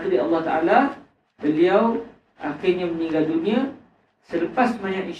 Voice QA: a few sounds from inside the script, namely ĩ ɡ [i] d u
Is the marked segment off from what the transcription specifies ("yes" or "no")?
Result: yes